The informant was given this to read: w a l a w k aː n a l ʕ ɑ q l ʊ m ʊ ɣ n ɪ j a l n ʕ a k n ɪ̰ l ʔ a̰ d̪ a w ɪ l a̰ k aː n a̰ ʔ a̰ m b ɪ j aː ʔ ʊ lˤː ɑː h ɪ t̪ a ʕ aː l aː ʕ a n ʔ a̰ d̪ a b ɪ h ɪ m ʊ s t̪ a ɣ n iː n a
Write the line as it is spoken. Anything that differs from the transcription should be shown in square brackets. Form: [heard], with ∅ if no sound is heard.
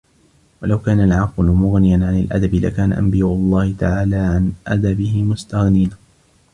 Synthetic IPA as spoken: w a l a w k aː n a l ʕ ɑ q l ʊ m ʊ ɣ n ɪ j a [∅] n ʕ a [∅] n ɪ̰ l ʔ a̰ d̪ a [b] ɪ l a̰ k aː n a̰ ʔ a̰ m b ɪ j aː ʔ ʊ lˤː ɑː h ɪ t̪ a ʕ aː l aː ʕ a n ʔ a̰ d̪ a b ɪ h ɪ m ʊ s t̪ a ɣ n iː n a